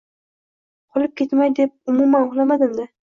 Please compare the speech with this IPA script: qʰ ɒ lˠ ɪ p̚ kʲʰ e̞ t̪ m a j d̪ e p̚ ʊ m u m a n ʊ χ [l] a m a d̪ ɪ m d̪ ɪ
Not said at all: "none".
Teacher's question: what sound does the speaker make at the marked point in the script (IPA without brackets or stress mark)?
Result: l